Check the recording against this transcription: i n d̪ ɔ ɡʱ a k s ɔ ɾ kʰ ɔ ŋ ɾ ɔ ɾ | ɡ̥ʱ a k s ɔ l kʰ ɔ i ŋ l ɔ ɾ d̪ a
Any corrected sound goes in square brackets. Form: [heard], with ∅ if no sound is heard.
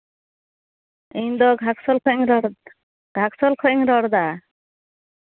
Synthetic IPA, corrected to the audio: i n d̪ ɔ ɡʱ a k s ɔ [l] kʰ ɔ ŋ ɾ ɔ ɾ | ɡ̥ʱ a k s ɔ l kʰ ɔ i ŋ [ɾ] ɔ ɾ d̪ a